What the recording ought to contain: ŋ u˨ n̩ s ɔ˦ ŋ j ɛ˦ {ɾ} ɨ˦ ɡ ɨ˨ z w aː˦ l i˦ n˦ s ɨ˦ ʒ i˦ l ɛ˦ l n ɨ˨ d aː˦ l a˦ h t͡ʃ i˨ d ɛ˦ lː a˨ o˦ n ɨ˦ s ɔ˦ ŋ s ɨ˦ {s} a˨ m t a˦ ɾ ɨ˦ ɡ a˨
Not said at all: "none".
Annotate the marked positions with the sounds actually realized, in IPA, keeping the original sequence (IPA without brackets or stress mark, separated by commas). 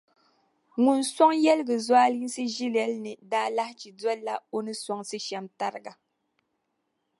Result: l, ʃ